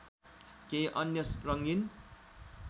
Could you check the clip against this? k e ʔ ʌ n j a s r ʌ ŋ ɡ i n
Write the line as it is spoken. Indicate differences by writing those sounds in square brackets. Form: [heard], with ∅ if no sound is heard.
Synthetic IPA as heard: k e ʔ ʌ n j [ʌ] s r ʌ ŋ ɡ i n